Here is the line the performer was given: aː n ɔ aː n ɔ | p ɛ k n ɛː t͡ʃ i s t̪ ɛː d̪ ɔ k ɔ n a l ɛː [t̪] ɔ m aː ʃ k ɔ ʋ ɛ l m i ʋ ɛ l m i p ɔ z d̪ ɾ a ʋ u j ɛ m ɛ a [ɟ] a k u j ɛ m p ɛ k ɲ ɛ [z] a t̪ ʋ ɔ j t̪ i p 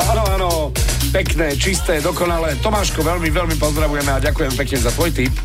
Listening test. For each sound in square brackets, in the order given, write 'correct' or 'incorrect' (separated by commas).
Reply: correct, correct, correct